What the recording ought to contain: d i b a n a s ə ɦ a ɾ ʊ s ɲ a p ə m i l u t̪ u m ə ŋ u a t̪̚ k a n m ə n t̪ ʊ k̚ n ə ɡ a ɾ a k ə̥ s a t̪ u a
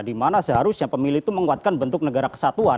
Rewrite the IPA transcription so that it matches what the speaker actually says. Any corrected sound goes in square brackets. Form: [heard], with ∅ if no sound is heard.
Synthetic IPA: d i [m] a n a s ə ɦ a ɾ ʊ s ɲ a p ə m i l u t̪ u m ə ŋ u a t̪̚ k a n [b] ə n t̪ ʊ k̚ n ə ɡ a ɾ a k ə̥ s a t̪ u a